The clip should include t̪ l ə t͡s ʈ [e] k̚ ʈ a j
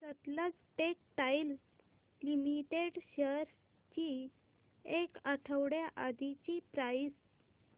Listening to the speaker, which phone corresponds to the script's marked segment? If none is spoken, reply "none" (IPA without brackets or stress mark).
e